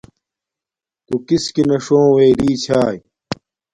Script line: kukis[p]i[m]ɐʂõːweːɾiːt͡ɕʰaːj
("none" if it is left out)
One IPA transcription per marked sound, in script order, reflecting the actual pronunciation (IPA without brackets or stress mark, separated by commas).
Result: k, n